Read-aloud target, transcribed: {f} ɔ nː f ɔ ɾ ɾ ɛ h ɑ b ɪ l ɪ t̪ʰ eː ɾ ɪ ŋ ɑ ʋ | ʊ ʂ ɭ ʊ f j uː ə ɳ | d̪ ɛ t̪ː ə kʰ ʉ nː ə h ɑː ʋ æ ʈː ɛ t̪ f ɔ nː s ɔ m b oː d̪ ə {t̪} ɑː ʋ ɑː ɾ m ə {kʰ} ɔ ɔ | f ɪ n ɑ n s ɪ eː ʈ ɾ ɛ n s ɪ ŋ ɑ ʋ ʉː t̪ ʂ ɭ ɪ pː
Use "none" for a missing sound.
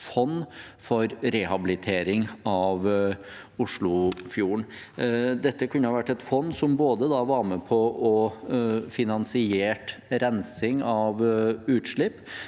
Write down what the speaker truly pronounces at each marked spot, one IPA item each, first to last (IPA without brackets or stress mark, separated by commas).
f, d̪, pʰ